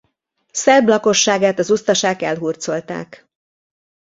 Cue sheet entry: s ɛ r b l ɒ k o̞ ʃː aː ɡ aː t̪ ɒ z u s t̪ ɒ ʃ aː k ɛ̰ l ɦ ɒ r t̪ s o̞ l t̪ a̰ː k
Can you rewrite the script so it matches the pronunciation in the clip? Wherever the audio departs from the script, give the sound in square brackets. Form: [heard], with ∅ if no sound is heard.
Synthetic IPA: s ɛ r b l ɒ k o̞ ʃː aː ɡ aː t̪ ɒ z u s t̪ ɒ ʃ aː k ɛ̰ l ɦ [u] r t̪ s o̞ l t̪ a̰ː k